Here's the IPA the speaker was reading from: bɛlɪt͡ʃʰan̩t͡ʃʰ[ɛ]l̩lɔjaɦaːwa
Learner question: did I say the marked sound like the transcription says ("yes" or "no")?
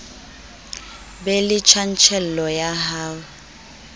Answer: yes